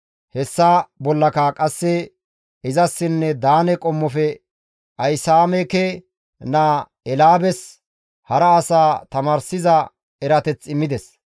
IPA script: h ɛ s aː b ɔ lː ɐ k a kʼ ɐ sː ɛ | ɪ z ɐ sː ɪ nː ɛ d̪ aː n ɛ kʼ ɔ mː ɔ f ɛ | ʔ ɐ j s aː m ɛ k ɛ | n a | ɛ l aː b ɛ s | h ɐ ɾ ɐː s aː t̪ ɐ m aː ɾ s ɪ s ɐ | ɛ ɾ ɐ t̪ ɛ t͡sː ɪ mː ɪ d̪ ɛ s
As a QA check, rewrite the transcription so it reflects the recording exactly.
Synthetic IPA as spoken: h ɛ sː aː b ɔ lː ɐ k a kʼ ɐ sː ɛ | ɪ z ɐ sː ɪ nː ɛ d̪ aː n ɛ kʼ ɔ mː ɔ f ɛ | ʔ ɐ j s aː m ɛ k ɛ | n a | ɛ l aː b ɛ s | h ɐ ɾ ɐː s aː t̪ ɐ m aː ɾ s ɪ z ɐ | ɛ ɾ ɐ t̪ ɛ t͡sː ɪ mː ɪ d̪ ɛ s

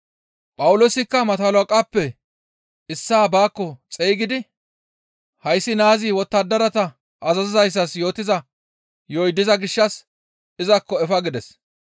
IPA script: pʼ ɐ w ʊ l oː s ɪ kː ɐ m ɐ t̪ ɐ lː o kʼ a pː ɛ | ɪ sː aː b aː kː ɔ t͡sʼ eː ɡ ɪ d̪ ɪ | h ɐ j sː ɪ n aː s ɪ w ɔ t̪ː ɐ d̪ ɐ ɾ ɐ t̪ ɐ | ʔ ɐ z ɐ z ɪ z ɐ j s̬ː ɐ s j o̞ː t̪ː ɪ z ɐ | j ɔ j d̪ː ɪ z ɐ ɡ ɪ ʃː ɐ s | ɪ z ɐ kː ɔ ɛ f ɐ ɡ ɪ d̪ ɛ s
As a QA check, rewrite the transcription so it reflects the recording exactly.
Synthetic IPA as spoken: pʼ ɐ w ʊ l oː s ɪ kː ɐ m ɐ t̪ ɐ l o kʼ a pː ɛ | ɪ sː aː b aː kː ɔ t͡sʼ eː ɡ ɪ d̪ ɪ | h ɐ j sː ɪ n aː z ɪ w ɔ t̪ː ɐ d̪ ɐ ɾ ɐ t̪ ɐ | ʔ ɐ z ɐ z ɪ z ɐ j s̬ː ɐ s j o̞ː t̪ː ɪ z ɐ | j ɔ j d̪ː ɪ z ɐ ɡ ɪ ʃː ɐ s | ɪ z ɐ kː ɔ ɛ f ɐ ɡ ɪ d̪ ɛ s

